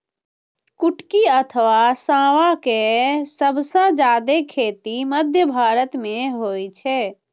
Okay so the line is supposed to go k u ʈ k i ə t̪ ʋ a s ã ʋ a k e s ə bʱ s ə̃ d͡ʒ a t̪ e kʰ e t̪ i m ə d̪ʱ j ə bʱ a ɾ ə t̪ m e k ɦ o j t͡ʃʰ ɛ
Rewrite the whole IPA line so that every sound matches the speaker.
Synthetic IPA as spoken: k u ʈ k i ə t̪ʰ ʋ a s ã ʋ a k e s ə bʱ s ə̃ d͡ʒ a d̪ e kʰ e t̪ i m ə d̪ʱ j ə bʱ a ɾ ə t̪ m e ɦ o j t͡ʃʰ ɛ